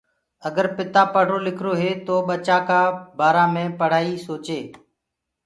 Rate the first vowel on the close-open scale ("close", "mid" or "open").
mid